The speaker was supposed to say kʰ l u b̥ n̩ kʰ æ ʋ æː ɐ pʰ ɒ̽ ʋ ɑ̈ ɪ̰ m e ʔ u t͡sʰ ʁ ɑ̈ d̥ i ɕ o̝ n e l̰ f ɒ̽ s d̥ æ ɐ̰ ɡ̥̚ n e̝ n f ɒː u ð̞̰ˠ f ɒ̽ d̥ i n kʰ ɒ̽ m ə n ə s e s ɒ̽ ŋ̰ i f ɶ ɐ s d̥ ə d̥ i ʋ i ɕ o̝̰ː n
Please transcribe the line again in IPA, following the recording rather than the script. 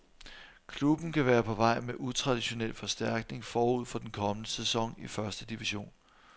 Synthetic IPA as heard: kʰ l u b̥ n̩ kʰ æ ʋ æː ɐ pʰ ɒ̽ ʋ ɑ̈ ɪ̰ m e ʔ u t͡sʰ ʁ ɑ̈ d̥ i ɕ o̝ n e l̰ f ɒ̽ s d̥ æ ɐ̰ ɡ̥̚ n e̝ ŋ f ɒː u ð̞̰ˠ f ɒ̽ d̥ e n kʰ ɒ̽ m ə n ə s e s ɒ̽ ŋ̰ i f ɶ ɐ s d̥ ə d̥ i ʋ i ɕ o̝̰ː n